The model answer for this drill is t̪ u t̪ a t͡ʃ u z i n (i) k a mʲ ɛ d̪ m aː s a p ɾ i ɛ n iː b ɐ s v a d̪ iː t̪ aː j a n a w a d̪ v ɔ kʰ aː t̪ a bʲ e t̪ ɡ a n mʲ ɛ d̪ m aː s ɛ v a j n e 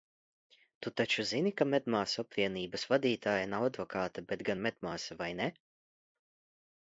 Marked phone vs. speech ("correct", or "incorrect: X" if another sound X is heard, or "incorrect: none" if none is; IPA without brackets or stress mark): correct